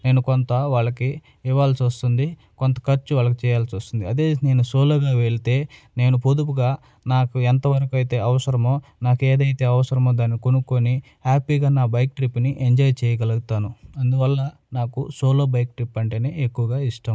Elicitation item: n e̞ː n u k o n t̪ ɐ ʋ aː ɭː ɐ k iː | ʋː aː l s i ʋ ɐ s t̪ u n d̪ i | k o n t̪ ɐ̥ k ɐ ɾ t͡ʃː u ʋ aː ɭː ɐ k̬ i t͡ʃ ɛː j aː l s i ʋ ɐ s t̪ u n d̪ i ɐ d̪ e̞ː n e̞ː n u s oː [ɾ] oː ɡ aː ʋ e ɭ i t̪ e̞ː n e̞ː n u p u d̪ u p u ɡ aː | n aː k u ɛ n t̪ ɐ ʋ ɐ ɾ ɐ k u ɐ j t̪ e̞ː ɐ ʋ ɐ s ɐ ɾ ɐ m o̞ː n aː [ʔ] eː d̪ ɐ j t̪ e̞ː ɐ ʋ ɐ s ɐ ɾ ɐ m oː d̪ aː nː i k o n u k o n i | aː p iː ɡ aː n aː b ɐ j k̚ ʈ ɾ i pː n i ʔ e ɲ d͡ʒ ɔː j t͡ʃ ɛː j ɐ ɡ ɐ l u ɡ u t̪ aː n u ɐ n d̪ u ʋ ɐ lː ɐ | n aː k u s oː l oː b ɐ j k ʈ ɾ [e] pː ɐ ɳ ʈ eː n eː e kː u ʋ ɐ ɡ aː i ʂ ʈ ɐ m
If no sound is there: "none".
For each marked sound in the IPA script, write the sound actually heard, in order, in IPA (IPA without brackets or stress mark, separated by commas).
l, k, i